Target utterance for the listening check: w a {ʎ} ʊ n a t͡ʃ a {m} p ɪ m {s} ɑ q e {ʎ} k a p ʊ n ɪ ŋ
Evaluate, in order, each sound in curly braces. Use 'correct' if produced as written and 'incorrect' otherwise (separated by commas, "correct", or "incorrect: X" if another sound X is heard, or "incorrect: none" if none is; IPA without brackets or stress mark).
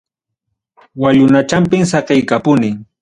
correct, correct, correct, incorrect: j